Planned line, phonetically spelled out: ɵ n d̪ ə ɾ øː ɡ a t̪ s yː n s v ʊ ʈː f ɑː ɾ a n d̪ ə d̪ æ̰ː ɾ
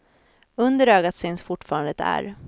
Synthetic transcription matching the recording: ɵ n d̪ ə ɾ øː ɡ a t̪ s yː n s f ʊ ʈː f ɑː ɾ a n d̪ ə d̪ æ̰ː ɾ